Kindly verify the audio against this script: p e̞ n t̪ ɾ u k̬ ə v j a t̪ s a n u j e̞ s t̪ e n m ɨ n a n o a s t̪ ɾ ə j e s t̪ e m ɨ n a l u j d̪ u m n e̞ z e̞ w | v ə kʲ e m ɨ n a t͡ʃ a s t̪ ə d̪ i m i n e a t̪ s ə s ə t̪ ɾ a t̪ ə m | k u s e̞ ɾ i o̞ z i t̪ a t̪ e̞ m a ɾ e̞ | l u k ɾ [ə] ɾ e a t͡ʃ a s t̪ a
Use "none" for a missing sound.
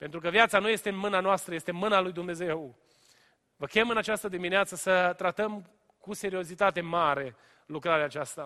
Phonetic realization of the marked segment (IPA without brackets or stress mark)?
a